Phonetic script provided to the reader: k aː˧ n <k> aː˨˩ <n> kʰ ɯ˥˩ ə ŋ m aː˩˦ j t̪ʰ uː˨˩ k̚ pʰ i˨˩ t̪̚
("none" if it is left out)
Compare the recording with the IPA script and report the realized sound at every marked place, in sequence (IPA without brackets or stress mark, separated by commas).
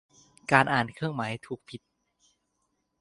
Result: ʔ, n